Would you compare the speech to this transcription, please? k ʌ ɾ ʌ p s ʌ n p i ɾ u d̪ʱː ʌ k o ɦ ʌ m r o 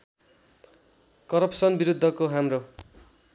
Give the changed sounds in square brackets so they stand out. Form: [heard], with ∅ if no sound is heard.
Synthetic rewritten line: k ʌ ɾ ʌ p s ʌ n [b] i ɾ u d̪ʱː ʌ k o ɦ [a] m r o